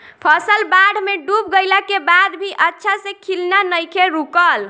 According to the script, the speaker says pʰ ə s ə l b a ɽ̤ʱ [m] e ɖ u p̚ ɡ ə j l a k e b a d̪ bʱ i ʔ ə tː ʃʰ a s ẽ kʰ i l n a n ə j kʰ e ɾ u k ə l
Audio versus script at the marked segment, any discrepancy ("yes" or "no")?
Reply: no